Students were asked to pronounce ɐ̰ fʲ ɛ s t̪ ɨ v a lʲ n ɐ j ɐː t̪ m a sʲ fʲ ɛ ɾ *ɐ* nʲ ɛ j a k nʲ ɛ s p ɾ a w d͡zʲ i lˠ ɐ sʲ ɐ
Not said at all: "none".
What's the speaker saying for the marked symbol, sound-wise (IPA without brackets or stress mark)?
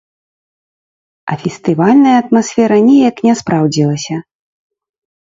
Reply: ɐ